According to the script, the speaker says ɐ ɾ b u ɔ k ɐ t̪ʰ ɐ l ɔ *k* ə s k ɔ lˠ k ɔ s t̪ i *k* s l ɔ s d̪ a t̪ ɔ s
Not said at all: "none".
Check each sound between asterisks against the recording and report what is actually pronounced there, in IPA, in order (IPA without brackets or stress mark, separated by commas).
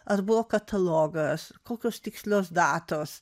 ɡ, k